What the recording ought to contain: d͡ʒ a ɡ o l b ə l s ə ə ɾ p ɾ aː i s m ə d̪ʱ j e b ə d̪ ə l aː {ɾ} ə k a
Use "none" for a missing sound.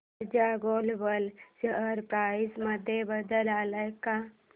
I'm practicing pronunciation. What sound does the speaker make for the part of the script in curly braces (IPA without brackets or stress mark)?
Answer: l